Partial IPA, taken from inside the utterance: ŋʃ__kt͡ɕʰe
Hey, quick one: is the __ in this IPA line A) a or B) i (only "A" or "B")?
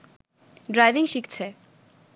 B